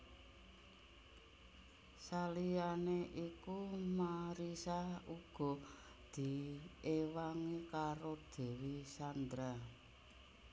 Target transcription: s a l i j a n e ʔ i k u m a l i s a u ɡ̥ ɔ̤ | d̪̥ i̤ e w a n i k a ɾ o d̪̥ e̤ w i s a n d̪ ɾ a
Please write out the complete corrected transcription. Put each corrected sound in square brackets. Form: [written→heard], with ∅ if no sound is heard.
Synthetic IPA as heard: s a l i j a n e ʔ i k u m a [l→ɾ] i s a u ɡ̥ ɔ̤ | d̪̥ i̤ e w a [n→ŋ] i k a ɾ o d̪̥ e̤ w i s a n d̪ ɾ a